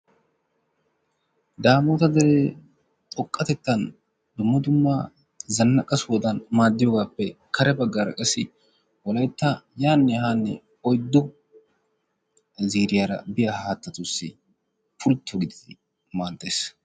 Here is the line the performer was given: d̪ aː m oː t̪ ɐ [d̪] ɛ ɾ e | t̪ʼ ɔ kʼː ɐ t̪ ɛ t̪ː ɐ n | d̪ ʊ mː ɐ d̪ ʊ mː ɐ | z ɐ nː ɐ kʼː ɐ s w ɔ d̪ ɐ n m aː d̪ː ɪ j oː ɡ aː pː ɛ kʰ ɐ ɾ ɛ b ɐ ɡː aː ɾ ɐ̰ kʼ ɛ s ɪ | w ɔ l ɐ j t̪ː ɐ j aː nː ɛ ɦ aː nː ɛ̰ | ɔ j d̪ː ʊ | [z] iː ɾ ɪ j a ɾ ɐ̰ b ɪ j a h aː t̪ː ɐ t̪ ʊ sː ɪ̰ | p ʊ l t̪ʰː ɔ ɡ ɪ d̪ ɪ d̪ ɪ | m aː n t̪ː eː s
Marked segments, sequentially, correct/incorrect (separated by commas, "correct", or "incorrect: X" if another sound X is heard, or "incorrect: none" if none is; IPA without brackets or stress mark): correct, correct